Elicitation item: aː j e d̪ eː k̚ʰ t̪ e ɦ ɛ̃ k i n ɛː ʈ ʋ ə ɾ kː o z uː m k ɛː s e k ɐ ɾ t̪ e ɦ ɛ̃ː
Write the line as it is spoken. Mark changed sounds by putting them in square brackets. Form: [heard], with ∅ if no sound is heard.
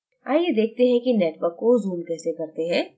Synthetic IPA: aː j e d̪ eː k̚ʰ t̪ e ɦ ɛ̃ k i n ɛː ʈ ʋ ə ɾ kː o z uː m k ɛː s e k ɐ ɾ t̪ e ɦ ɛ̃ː